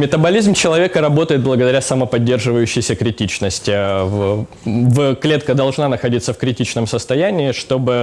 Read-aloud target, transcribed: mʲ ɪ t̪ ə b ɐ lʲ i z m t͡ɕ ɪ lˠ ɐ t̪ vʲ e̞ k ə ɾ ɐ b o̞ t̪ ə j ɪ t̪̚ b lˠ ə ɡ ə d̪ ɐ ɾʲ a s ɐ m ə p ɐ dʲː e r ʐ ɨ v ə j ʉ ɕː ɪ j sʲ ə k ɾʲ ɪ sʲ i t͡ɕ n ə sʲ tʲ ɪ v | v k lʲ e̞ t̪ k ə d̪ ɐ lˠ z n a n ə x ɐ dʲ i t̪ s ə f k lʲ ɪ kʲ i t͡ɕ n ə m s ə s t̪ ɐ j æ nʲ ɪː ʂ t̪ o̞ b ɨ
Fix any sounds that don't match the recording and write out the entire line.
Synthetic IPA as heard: mʲ ɪ t̪ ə b ɐ lʲ i z m t͡ɕ ɪ lˠ ɐ vʲ e̞ k ə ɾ ɐ b o̞ t̪ ə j ɪ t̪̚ b lˠ ə ɡ ə d̪ ɐ ɾʲ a s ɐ m ə p ɐ dʲː e r ʐ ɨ v ə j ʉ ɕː ɪ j sʲ ə k ɾʲ ɪ tʲ i t͡ɕ n ə sʲ tʲ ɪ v | v k lʲ e̞ t̪ k ə d̪ ɐ lˠ ʐ n a n ə x ɐ dʲ i t̪ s ə f k ɾʲ ɪ tʲ i t͡ɕ n ə m s ə s t̪ ɐ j æ nʲ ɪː ʂ t̪ o̞ b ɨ